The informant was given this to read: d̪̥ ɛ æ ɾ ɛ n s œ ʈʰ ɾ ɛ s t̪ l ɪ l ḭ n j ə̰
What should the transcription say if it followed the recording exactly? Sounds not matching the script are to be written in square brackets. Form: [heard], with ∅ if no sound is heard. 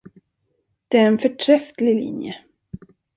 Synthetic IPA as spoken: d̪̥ ɛ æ ɾ ɛ n [f] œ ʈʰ ɾ ɛ [f] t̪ l ɪ l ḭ n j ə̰